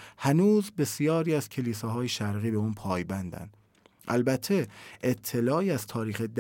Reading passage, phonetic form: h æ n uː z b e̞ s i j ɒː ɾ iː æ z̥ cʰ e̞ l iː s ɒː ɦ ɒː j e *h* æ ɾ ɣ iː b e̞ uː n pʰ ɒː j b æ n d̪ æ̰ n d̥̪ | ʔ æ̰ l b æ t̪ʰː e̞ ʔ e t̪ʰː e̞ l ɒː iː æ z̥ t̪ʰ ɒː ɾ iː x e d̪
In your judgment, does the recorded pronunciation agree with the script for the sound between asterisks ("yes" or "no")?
no